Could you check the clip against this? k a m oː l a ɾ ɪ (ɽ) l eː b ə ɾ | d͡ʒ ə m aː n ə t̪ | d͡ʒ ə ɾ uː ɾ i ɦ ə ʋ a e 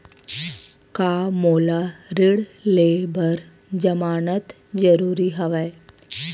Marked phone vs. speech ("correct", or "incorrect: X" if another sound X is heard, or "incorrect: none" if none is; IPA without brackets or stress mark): correct